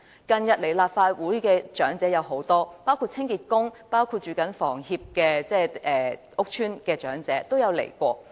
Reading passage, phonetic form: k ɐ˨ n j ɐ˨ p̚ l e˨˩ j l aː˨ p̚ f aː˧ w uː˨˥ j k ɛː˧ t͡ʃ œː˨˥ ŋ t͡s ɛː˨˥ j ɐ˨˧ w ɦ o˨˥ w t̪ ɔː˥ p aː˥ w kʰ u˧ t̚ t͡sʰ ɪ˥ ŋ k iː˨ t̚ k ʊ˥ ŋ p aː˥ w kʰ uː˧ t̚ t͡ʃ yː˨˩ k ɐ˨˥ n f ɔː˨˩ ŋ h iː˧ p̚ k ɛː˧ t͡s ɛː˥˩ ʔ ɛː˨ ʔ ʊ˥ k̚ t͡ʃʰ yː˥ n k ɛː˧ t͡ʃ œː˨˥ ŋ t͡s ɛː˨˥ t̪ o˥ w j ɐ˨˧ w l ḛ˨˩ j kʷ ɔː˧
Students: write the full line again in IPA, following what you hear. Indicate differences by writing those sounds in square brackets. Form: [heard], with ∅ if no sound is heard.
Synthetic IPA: k ɐ˨ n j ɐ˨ [t̚] l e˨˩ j l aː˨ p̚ f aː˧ w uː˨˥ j k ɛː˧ t͡ʃ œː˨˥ ŋ t͡s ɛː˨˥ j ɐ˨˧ w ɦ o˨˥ w t̪ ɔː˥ p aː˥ w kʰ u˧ t̚ t͡sʰ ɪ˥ ŋ k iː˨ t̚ k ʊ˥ ŋ p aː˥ w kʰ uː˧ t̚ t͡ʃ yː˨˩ k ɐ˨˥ n f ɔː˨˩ ŋ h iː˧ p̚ k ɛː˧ t͡s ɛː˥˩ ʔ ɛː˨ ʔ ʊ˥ k̚ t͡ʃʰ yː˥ n k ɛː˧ t͡ʃ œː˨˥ ŋ t͡s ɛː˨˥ t̪ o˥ w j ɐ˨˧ w l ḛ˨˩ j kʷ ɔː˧

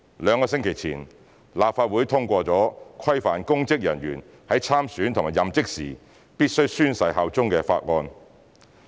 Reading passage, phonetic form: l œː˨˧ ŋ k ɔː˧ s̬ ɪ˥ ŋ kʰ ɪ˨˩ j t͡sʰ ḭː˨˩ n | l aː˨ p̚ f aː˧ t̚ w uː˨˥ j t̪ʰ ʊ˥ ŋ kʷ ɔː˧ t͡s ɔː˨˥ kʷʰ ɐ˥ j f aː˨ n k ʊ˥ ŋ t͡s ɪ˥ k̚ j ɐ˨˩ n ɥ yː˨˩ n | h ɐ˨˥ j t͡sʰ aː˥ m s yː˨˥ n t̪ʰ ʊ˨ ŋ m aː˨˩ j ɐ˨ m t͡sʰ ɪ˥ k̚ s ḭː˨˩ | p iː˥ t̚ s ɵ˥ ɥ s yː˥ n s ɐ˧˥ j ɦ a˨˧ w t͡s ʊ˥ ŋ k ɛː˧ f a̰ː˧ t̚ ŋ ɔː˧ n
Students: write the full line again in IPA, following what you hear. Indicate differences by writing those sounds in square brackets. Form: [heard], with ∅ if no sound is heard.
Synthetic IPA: l œː˨˧ ŋ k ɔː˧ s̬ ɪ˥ ŋ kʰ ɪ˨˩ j t͡sʰ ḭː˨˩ n | l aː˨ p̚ f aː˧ t̚ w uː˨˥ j t̪ʰ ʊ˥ ŋ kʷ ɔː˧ t͡s ɔː˨˥ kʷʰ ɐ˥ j f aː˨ n k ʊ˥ ŋ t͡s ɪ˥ k̚ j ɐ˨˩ n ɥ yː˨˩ n | h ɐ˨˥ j t͡sʰ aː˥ m s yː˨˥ n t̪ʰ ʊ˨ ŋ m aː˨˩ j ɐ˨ m [t͡s] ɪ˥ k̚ s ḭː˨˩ | p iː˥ t̚ s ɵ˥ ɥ s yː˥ n s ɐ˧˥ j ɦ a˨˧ w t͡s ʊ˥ ŋ k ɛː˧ f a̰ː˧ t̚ ŋ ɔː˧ n

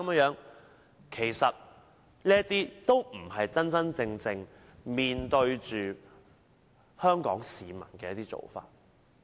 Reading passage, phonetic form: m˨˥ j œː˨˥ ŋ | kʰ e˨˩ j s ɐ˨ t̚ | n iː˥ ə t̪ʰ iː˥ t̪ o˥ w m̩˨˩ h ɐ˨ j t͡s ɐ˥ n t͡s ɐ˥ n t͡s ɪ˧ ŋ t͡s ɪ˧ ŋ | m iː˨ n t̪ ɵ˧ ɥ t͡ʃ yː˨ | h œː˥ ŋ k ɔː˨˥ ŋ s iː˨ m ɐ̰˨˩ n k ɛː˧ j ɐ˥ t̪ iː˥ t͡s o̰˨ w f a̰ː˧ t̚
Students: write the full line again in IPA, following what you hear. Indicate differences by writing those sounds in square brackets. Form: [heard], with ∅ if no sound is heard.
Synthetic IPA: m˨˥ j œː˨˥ ŋ | kʰ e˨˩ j s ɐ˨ t̚ | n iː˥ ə [t̪] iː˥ t̪ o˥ w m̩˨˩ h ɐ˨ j t͡s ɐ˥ n t͡s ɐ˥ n t͡s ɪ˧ ŋ t͡s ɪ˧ ŋ | m iː˨ n t̪ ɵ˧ ɥ t͡ʃ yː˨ | h œː˥ ŋ k ɔː˨˥ ŋ s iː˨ m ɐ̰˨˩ n k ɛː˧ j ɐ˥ t̪ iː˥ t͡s o̰˨ w f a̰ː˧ t̚

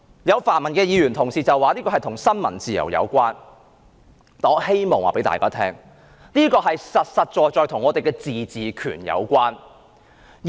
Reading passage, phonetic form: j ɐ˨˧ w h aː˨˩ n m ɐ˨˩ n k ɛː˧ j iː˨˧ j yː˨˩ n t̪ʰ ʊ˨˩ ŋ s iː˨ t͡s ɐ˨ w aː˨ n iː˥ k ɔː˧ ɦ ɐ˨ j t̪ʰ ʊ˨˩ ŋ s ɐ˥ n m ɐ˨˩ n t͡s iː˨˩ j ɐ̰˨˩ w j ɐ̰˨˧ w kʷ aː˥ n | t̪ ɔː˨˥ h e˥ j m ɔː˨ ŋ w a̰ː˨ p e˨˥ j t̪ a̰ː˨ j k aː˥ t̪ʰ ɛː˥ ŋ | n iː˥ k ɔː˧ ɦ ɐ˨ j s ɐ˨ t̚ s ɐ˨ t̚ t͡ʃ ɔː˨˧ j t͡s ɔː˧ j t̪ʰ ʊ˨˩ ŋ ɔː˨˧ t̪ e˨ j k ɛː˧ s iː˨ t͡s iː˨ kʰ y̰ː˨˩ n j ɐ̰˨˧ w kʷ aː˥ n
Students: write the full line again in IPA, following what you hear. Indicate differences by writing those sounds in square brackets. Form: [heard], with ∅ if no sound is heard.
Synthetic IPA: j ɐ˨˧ w [f] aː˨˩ n m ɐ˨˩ n k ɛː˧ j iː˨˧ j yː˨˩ n t̪ʰ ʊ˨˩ ŋ s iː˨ t͡s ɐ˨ w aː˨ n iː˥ k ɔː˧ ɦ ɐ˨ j t̪ʰ ʊ˨˩ ŋ s ɐ˥ n m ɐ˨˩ n t͡s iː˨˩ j ɐ̰˨˩ w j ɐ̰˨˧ w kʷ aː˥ n | t̪ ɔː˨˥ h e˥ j m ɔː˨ ŋ w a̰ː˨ p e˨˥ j t̪ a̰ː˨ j k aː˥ t̪ʰ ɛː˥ ŋ | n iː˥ k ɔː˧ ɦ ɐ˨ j s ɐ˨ t̚ s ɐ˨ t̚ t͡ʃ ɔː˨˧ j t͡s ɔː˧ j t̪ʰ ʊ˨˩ ŋ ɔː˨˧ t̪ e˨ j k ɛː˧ [t͡s] iː˨ t͡s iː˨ kʰ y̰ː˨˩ n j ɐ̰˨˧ w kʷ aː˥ n

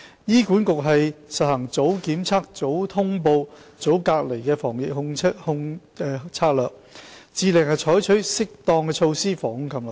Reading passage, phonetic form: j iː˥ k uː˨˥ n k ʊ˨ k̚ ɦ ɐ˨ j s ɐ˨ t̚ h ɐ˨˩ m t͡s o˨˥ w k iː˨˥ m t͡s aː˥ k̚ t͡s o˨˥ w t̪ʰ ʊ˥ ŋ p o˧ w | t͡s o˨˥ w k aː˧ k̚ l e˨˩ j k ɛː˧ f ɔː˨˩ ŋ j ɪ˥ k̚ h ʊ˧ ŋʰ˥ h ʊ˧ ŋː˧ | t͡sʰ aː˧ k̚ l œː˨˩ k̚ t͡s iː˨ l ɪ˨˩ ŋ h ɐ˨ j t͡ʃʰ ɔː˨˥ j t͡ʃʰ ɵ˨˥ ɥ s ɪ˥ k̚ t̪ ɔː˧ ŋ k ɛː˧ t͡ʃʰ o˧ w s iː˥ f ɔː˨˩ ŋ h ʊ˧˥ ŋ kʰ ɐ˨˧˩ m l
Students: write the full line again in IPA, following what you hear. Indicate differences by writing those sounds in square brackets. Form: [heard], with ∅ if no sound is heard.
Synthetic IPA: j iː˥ k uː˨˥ n k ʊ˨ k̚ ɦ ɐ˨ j s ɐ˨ t̚ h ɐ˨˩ [ŋ] t͡s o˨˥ w k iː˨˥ m [t͡sʰ] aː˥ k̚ t͡s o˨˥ w t̪ʰ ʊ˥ ŋ p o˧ w | t͡s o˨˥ w k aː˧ k̚ l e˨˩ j k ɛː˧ f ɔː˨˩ ŋ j [ɪ˨] k̚ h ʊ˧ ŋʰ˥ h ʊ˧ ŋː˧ | t͡sʰ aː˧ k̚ l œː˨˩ k̚ t͡s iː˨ l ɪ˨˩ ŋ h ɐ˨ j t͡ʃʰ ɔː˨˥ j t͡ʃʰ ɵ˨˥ ɥ s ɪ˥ k̚ t̪ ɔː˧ ŋ k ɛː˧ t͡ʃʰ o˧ w s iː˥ f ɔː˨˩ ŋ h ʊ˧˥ ŋ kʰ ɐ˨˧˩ m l

